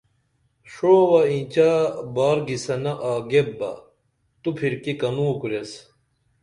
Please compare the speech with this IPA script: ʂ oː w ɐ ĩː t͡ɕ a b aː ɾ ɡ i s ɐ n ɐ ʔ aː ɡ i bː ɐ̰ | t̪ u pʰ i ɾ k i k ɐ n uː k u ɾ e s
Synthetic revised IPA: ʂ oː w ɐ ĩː t͡ɕ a b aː ɾ ɡ i s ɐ n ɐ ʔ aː ɡ e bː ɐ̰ | t̪ u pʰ i ɾ k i k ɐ n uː k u ɾ e s